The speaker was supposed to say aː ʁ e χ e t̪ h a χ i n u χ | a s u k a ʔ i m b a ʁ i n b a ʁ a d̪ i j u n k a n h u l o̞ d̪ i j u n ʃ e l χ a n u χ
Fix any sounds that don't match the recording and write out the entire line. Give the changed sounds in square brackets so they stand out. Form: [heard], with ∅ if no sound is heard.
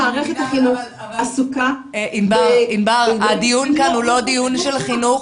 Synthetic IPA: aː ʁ e χ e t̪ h a χ i n u χ | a s u k a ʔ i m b a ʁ i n b a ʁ a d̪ i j u n k a n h u l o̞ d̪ i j u n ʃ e l χ [i] n u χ